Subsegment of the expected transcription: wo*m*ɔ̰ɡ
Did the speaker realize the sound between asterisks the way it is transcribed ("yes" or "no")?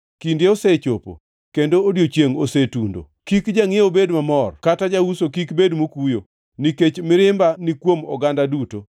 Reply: yes